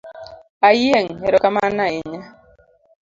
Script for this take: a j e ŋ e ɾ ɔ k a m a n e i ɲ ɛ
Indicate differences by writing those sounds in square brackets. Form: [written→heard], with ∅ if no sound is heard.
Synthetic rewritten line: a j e ŋ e ɾ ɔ k a m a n [e→a] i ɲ [ɛ→a]

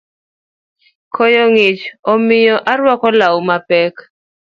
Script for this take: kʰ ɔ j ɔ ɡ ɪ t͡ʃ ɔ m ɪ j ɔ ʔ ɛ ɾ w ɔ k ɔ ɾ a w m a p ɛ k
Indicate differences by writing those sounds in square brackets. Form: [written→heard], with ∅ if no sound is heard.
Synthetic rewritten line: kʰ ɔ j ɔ [ɡ→ŋ] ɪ t͡ʃ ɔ m ɪ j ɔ ʔ [ɛ→a] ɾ w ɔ k ɔ [ɾ→l] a w m a p ɛ k

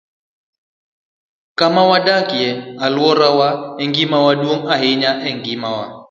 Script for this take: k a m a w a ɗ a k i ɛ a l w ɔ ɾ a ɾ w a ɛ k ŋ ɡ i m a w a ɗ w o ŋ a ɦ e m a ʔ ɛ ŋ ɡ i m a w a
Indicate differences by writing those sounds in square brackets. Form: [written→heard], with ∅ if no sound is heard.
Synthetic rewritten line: k a m a w a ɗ a k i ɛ a l w ɔ ɾ a [ɾ→∅] w a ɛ [k→∅] ŋ ɡ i m a w a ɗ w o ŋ a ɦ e [m→ɲ] a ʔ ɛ ŋ ɡ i m a w a

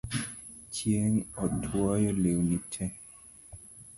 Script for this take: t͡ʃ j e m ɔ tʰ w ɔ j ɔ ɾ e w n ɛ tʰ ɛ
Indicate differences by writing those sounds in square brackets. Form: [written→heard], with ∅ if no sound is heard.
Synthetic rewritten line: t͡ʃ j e [m→ŋ] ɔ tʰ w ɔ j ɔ [ɾ→l] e w n [ɛ→i] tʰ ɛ

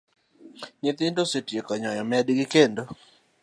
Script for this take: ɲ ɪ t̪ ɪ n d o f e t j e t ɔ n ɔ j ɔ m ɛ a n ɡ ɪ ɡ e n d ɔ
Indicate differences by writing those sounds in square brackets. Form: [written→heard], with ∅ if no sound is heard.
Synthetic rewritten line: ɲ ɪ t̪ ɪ n d o [f→s] e t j e [t→k] ɔ [n→ɲ] ɔ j ɔ m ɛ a [n→d] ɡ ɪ [ɡ→k] e n d [ɔ→o]

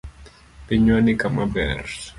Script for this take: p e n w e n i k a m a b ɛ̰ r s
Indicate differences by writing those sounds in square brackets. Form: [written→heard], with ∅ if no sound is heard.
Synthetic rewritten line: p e [n→ɲ] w [e→a] n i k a m a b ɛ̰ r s

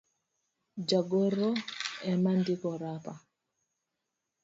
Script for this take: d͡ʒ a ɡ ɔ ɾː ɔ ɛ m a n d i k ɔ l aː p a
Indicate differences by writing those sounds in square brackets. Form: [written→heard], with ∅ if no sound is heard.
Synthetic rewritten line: d͡ʒ a ɡ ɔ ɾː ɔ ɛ m a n d i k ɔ [l→ɾ] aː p a

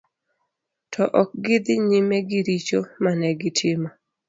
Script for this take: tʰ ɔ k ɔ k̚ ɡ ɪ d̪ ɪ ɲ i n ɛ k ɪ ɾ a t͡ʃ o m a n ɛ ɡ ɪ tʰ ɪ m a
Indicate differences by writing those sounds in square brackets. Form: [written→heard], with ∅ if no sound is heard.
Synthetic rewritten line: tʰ ɔ [k→ʔ] ɔ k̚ ɡ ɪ d̪ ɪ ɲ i [n→m] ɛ [k→ɡ] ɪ ɾ [a→i] t͡ʃ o m a n ɛ ɡ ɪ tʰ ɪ m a

